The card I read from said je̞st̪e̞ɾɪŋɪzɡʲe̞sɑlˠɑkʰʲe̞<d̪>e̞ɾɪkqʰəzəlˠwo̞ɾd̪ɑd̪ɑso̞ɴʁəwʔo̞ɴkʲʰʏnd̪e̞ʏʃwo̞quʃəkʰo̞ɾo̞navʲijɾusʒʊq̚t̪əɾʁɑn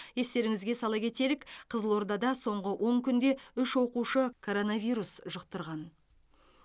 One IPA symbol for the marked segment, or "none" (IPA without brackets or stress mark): t̪